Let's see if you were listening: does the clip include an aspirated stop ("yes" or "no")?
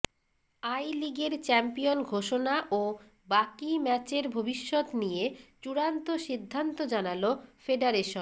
no